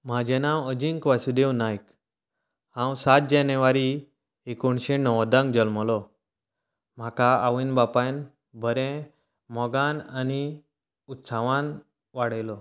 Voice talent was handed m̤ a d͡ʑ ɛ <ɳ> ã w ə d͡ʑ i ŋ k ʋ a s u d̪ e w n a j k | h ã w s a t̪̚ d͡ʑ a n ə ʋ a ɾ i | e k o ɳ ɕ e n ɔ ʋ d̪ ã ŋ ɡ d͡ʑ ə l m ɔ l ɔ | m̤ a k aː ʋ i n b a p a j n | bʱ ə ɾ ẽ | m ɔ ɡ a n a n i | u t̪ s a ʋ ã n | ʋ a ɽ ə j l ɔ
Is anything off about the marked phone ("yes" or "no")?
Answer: yes